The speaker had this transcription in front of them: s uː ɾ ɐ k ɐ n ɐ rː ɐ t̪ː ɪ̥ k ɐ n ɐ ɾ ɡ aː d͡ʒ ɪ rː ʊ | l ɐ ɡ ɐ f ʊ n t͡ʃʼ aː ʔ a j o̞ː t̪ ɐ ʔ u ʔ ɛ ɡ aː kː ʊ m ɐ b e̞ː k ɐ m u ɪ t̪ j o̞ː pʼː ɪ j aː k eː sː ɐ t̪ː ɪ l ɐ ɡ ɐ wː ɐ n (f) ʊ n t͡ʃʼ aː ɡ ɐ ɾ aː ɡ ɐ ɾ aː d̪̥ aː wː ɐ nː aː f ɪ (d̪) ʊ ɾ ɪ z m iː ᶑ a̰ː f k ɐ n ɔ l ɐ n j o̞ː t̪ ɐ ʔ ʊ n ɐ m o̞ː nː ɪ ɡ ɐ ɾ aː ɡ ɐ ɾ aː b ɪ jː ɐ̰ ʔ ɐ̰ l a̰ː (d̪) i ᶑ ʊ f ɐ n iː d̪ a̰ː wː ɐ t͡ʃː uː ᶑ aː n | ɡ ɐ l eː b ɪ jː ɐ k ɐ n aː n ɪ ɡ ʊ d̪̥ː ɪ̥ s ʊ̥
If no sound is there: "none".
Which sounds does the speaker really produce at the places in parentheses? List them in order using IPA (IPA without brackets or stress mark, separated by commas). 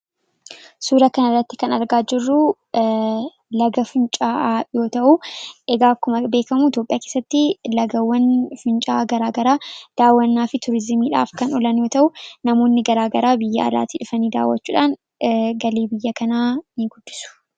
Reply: f, t̪, t̪